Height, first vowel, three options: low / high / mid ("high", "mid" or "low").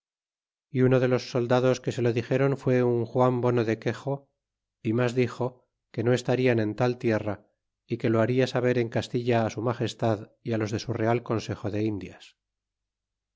high